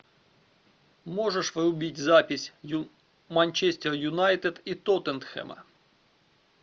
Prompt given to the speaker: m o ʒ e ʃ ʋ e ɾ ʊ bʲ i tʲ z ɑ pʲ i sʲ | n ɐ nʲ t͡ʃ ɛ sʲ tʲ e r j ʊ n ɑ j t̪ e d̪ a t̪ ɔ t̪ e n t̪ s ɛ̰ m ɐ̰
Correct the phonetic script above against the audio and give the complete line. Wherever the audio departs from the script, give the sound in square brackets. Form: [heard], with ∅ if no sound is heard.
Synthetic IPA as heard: m [ɔ] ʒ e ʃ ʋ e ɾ ʊ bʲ i tʲ z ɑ pʲ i sʲ | [m] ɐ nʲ t͡ʃ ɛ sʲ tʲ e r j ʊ n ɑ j t̪ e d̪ [i] t̪ ɔ t̪ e n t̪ [x] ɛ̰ m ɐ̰